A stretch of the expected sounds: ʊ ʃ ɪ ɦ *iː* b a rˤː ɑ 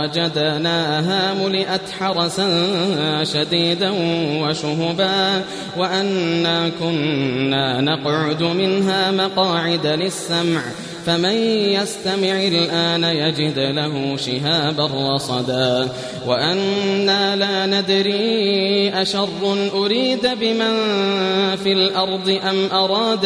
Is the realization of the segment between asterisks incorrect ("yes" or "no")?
yes